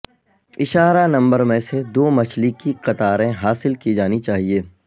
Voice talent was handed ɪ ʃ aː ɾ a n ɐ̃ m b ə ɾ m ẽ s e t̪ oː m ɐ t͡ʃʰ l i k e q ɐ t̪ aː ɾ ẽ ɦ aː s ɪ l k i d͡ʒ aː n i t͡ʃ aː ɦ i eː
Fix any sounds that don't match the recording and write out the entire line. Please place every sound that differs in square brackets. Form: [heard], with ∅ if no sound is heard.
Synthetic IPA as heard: ɪ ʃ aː ɾ a n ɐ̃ m b ə ɾ m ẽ s e [d̪] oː m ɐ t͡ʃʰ l i k [i] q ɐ t̪ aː ɾ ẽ ɦ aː s ɪ l k i d͡ʒ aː n i t͡ʃ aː ɦ i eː